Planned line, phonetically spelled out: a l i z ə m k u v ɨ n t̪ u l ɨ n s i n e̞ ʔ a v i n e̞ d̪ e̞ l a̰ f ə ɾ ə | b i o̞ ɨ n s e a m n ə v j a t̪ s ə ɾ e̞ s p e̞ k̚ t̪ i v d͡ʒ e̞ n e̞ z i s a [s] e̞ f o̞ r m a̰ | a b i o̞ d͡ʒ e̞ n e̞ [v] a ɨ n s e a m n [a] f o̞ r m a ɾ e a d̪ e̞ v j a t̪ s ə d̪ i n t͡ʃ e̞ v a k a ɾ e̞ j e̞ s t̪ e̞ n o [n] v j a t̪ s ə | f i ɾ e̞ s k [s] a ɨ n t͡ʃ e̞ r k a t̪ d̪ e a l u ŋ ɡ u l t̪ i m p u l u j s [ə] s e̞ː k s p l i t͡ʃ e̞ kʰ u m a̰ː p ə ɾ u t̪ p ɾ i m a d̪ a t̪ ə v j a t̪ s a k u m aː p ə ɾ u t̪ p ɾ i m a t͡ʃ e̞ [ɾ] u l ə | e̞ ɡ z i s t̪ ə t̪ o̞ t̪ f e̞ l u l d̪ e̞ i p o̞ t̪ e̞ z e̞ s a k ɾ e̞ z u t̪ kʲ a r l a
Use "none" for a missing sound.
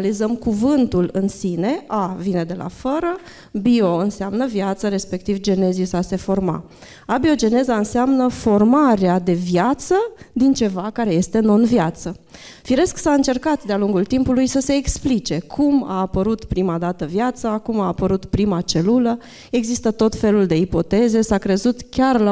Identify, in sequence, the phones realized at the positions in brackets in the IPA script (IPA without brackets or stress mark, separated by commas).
s, z, ə, n, s, ə, l